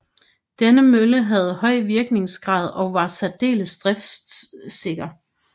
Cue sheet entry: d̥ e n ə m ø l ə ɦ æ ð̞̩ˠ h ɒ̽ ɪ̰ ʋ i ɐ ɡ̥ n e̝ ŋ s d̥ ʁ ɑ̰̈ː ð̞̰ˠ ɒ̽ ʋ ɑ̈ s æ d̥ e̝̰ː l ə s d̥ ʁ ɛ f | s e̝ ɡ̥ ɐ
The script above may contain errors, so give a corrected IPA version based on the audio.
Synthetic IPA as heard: d̥ e n ə m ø l ə ɦ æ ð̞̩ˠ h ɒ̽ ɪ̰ ʋ i ɐ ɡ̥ n e̝ ŋ s ɡ̥ ʁ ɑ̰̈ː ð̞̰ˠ ɒ̽ ʋ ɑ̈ s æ d̥ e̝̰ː l ə s d̥ ʁ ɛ f | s e̝ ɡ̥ ɐ